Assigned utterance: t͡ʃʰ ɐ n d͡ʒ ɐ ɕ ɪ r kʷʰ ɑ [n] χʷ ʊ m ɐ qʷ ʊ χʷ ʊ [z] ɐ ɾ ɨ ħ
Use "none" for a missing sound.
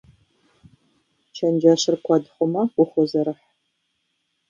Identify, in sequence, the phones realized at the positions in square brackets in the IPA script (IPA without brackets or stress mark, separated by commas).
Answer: d, z